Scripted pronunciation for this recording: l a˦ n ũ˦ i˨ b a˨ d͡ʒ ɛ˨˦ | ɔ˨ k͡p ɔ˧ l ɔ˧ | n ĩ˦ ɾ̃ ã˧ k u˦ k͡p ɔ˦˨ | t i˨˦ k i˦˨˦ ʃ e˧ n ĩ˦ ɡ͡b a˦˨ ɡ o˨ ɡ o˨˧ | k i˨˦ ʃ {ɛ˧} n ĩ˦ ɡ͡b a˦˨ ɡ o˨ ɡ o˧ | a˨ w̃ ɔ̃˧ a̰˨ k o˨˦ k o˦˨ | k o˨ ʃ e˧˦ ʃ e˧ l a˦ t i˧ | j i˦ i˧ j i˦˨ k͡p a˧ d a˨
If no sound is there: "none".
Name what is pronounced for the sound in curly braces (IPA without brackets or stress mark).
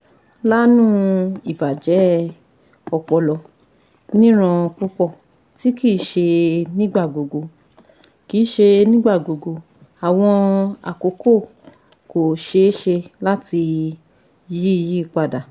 e˧